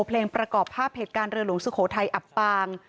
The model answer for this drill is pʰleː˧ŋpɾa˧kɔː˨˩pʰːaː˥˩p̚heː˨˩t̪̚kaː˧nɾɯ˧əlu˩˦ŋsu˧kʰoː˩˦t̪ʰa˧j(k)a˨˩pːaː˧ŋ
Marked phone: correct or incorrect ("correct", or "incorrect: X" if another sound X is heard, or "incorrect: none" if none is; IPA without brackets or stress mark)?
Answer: incorrect: ʔ